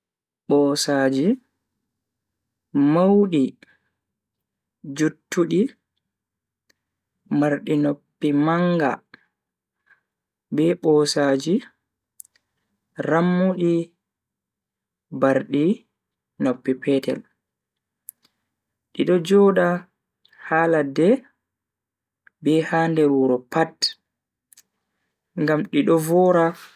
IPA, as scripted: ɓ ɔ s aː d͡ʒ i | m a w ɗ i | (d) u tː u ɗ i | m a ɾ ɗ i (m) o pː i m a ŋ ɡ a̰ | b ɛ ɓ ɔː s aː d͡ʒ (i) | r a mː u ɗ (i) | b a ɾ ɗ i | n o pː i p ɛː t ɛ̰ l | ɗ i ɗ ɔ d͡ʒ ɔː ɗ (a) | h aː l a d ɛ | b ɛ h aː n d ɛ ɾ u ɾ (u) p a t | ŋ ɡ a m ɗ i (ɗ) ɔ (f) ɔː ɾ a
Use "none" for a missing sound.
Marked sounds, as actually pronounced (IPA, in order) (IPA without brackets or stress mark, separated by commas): d͡ʒ, n, i, i, a, ɔ, ɗ, v